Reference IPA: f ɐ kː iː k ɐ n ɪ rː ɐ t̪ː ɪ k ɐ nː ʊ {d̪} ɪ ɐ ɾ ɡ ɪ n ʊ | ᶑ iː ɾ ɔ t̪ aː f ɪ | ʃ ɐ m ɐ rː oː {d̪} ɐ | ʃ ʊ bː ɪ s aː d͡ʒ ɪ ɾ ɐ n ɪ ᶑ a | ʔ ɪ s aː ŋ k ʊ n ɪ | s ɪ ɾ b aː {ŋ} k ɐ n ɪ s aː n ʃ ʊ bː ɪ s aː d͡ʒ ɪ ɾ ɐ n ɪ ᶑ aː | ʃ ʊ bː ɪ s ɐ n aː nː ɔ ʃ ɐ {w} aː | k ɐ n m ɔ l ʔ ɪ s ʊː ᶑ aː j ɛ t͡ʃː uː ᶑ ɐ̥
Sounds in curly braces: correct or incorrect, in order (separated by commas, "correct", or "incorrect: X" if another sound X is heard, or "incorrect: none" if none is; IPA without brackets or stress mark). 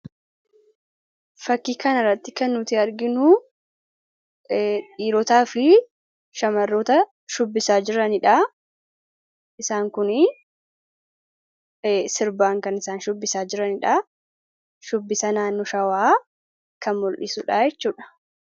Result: incorrect: t̪, incorrect: t̪, correct, correct